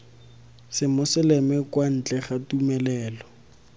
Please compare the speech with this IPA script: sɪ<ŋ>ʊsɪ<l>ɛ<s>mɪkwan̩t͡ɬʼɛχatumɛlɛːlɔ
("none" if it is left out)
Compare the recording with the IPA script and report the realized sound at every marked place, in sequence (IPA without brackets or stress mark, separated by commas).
m, l, none